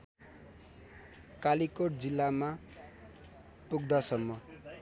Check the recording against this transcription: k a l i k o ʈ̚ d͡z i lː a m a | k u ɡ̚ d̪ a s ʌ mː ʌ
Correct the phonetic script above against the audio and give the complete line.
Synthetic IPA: k a l i k o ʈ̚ d͡z i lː a m a | p u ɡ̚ d̪ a s ʌ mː ʌ